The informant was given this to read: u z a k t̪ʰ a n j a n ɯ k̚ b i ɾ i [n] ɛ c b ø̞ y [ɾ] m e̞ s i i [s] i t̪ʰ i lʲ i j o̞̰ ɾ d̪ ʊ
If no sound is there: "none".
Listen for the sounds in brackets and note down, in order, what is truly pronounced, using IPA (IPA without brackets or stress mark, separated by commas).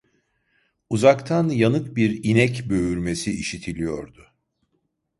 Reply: n, ɾ, ʃ